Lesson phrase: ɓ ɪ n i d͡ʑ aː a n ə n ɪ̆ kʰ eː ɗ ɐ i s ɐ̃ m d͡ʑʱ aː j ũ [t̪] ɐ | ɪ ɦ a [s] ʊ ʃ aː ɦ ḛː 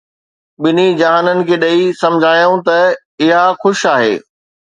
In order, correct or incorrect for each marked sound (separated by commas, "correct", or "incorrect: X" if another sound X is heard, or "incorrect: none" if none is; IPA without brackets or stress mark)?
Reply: correct, incorrect: x